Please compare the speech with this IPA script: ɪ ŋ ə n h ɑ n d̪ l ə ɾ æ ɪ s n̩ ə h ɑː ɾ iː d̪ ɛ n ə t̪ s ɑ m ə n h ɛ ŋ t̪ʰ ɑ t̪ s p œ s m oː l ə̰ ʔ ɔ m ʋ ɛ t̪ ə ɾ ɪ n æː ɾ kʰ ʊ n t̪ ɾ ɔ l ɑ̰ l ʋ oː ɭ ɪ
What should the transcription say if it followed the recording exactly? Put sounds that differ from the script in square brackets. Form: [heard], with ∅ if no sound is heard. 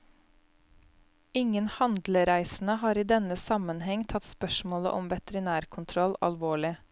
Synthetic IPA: ɪ ŋ ə n h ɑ n d̪ l ə ɾ æ ɪ s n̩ ə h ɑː ɾ iː d̪ ɛ n ə [∅] s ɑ m ə n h ɛ ŋ t̪ʰ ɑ t̪ s p œ [ʃ] m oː l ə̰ ʔ ɔ m ʋ ɛ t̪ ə ɾ ɪ n æː ɾ kʰ ʊ n [t̪ʰ] ɾ ɔ l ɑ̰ l ʋ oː ɭ ɪ